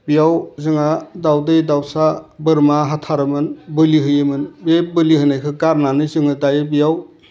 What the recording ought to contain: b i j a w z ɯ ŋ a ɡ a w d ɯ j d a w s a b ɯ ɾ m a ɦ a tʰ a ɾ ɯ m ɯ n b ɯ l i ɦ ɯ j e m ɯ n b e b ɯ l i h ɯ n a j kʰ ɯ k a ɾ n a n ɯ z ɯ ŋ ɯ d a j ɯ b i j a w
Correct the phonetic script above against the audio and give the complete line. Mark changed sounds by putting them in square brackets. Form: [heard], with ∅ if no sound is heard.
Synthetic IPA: b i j a w z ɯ ŋ a [d] a w d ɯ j d a w s a b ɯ ɾ m a ɦ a tʰ a ɾ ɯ m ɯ n b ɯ l i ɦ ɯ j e m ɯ n b e b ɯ l i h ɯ n a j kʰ ɯ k a ɾ n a n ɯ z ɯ ŋ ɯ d a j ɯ b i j a w